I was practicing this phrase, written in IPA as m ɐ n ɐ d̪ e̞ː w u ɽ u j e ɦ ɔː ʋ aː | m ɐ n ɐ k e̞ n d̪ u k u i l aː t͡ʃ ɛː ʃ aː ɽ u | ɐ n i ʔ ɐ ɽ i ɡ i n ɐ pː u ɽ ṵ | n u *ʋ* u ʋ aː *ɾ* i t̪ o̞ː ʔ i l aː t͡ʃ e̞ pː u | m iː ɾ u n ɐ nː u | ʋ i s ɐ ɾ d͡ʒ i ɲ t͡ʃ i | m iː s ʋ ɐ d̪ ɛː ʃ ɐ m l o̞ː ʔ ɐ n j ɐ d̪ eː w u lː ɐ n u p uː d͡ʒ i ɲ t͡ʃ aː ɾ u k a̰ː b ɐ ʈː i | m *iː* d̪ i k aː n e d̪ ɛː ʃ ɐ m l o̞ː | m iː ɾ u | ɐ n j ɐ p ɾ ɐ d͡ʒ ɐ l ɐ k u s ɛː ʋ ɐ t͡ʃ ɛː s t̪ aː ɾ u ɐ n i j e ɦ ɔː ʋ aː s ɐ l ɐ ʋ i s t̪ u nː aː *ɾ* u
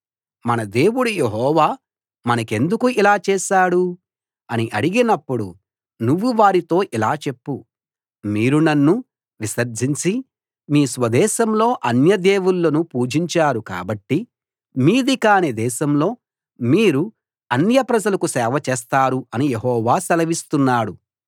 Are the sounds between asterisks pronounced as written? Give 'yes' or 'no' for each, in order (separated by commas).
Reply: no, yes, yes, no